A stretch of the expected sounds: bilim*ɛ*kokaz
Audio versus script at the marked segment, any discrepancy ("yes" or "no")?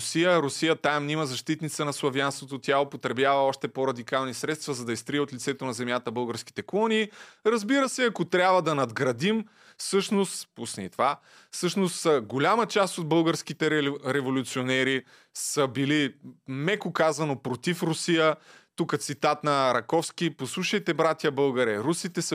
no